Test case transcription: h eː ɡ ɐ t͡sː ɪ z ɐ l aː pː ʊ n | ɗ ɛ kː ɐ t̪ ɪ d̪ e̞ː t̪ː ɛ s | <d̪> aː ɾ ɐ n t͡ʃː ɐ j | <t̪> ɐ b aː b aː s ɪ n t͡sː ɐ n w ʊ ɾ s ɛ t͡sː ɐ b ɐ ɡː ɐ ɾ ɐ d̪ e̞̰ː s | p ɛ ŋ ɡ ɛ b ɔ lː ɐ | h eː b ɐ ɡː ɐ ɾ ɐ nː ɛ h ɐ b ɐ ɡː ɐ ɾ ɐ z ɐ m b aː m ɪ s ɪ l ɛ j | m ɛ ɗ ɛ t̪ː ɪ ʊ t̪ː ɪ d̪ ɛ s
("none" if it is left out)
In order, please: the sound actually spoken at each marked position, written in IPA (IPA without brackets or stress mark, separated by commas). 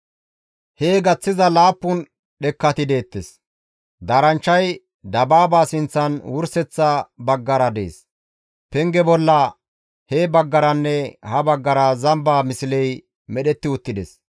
d̪, d̪